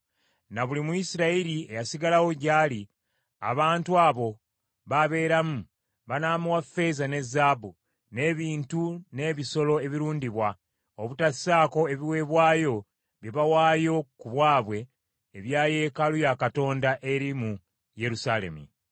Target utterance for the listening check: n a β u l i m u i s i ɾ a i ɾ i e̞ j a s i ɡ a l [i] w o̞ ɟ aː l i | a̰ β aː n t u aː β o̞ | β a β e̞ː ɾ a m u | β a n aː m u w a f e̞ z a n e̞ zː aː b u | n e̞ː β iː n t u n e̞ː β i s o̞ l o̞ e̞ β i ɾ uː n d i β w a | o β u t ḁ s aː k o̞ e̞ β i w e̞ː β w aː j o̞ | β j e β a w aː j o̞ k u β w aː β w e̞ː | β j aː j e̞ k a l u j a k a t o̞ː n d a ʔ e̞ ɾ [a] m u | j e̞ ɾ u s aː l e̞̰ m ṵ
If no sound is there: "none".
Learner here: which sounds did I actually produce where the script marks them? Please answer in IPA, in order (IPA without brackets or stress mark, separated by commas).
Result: a, i